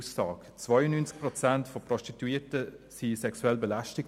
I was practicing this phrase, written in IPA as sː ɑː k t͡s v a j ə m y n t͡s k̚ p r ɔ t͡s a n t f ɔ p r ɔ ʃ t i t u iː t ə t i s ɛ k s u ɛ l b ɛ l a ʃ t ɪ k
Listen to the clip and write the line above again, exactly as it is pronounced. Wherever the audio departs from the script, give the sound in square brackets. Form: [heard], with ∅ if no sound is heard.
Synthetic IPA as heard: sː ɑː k t͡s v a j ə [n] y n t͡s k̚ p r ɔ t͡s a n t f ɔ p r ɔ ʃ t i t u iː t ə [s] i s ɛ k s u ɛ l b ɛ l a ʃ t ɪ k